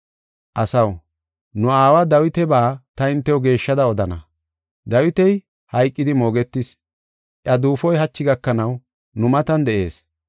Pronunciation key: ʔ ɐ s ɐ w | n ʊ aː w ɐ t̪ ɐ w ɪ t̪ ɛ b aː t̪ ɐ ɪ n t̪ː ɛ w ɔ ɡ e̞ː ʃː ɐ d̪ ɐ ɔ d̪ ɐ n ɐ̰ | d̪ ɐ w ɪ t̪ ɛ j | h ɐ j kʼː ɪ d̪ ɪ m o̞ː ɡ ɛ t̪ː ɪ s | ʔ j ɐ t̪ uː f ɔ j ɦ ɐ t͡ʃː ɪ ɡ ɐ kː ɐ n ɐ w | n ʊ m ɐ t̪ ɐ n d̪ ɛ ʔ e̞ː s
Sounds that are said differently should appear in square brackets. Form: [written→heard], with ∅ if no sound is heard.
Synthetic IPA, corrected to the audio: ʔ ɐ s ɐ w | n ʊ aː w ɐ [t̪→d̪] ɐ w ɪ t̪ ɛ b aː t̪ ɐ ɪ n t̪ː ɛ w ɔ ɡ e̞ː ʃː ɐ d̪ ɐ ɔ d̪ ɐ n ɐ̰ | d̪ ɐ w ɪ t̪ ɛ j | h ɐ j kʼː ɪ d̪ ɪ m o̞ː ɡ ɛ t̪ː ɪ s | ʔ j ɐ [t̪→d̪] uː f ɔ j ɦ ɐ t͡ʃː ɪ ɡ ɐ kː ɐ n ɐ w | n ʊ m ɐ t̪ ɐ n d̪ ɛ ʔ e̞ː s